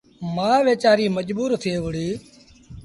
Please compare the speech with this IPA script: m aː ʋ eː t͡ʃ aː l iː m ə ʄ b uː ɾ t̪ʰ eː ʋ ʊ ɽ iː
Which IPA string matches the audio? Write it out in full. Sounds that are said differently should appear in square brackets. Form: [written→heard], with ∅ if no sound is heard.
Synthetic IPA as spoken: m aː ʋ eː t͡ʃ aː [l→ɾ] iː m ə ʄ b uː ɾ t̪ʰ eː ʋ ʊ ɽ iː